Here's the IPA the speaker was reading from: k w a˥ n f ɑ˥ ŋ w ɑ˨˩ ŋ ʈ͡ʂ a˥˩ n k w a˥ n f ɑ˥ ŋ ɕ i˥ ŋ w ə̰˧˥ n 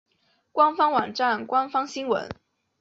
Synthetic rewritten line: k w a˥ n f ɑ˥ ŋ w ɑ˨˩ ŋ ʈ͡ʂ a˥˩ n k w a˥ n f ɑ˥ ŋ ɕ i˥ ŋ w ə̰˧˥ n